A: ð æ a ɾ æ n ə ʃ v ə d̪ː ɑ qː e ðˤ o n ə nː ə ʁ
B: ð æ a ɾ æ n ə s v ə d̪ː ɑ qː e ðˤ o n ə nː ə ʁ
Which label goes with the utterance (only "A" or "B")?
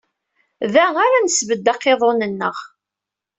B